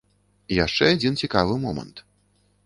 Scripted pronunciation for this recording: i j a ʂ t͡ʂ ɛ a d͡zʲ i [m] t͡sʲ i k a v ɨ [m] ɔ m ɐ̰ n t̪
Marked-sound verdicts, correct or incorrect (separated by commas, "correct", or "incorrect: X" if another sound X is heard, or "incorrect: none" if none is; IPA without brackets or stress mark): incorrect: n, correct